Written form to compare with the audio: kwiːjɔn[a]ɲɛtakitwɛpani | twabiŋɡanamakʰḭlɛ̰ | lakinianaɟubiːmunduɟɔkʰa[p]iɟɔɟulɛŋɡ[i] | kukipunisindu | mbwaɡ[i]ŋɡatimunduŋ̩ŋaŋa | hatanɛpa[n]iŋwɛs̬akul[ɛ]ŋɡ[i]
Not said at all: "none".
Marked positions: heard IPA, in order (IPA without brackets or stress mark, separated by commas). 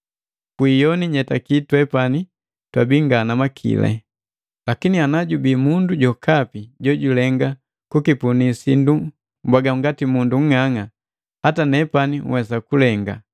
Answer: i, p, a, a, n, ɛ, a